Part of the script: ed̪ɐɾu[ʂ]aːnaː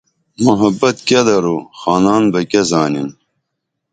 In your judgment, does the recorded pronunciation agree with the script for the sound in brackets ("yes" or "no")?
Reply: no